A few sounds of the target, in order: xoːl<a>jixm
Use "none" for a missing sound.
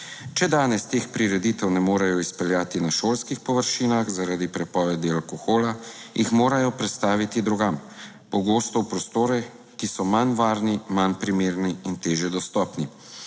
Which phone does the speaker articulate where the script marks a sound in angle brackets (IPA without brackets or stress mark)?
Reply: a